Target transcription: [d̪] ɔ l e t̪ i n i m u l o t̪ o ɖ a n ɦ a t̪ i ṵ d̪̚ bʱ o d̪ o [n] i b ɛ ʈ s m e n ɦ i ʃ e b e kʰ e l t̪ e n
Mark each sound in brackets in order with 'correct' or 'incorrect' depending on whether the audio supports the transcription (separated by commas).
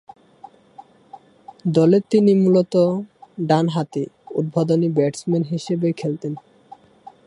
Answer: correct, correct